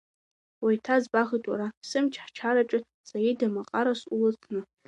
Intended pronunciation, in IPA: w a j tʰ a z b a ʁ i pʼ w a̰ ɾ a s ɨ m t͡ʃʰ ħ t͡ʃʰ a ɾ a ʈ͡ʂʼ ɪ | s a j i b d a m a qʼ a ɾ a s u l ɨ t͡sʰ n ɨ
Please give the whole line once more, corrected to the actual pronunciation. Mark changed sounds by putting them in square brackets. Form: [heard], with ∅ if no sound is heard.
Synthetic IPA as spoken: w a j tʰ a z b a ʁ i [tʼ] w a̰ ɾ a s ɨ m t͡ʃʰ ħ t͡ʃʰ a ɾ a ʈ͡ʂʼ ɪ | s a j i [∅] d a m a qʼ a ɾ a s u l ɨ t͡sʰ n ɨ